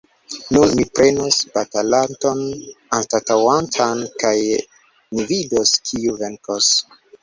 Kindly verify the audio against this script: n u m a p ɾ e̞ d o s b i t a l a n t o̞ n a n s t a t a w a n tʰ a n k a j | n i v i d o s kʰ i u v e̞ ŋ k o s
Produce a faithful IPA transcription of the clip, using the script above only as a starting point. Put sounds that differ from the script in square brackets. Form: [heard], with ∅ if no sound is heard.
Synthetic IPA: n u m [i] p ɾ e̞ [n] o s b [a] t a l a n t o̞ n a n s t a t a w a n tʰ a n k a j | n i v i d o s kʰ i u v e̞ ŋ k o s